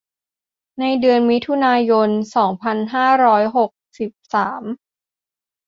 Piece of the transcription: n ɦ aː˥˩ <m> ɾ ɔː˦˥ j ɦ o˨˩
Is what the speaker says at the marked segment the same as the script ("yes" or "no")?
no